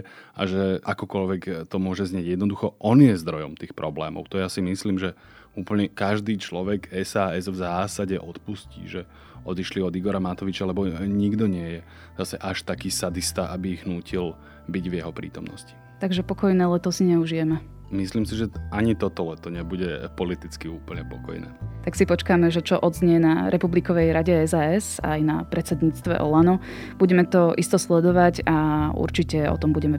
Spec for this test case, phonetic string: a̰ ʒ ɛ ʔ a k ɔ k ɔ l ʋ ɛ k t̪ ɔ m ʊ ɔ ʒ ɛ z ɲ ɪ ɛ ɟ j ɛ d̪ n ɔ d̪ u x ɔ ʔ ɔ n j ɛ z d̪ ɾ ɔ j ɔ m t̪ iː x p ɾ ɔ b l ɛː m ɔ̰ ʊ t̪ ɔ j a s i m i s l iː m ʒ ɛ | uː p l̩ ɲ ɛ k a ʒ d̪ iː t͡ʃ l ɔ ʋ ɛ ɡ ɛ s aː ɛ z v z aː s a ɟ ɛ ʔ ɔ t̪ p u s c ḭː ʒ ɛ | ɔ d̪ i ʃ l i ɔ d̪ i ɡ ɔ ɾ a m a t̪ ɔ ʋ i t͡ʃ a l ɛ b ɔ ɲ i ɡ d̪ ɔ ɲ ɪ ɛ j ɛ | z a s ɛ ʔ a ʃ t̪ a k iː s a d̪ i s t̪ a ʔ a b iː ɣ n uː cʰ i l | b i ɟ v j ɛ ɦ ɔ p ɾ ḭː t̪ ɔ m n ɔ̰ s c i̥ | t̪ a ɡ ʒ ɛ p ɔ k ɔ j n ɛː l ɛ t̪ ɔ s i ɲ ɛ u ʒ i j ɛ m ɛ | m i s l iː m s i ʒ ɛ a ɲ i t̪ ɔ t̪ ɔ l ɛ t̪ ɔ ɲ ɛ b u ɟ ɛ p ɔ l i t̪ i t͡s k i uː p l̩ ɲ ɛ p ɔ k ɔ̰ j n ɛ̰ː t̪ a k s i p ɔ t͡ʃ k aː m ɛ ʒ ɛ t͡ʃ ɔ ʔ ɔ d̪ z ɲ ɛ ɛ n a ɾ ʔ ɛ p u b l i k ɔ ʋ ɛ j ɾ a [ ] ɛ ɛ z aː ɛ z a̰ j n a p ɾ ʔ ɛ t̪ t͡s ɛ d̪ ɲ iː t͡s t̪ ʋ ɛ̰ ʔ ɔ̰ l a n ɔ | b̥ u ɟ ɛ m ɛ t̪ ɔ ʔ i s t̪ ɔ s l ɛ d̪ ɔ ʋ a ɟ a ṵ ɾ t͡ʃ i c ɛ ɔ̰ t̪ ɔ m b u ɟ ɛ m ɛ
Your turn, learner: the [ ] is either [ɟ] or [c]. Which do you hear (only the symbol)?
ɟ